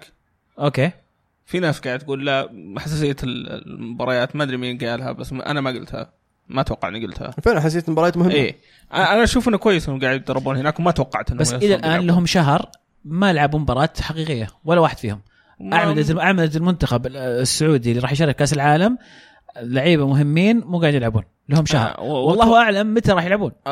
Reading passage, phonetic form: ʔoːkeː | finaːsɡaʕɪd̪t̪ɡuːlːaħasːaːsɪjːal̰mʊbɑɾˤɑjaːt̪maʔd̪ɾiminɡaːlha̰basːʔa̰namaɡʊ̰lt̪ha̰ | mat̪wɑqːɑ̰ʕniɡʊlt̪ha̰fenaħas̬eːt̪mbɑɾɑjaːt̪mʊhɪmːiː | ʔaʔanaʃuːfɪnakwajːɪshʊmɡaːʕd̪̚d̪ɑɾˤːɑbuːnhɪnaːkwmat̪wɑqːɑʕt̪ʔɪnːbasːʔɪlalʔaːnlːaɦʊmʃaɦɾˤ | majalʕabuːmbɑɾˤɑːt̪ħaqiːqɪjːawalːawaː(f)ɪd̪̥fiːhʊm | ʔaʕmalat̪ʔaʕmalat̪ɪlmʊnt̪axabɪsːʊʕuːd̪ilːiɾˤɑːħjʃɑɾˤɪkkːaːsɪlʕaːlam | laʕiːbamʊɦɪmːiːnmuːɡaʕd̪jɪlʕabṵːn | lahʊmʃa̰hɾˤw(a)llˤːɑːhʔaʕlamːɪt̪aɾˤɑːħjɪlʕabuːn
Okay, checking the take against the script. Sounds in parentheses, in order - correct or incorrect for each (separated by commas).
incorrect, incorrect